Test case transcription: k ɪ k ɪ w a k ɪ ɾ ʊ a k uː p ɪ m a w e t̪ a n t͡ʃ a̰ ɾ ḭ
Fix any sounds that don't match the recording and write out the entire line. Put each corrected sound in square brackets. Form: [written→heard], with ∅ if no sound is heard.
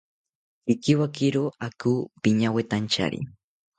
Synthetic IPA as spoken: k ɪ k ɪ w a k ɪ ɾ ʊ a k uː p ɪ [m→ɲ] a w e t̪ a n t͡ʃ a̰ ɾ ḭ